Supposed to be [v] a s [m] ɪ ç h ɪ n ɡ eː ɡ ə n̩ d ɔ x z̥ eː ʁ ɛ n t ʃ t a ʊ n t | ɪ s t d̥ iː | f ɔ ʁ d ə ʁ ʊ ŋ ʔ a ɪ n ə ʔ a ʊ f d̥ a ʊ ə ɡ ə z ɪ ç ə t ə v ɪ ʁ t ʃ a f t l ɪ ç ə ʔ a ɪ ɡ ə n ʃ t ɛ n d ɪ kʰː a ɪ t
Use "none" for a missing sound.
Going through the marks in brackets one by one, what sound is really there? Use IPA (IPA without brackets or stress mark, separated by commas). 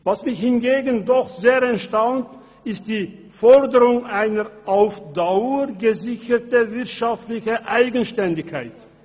v, m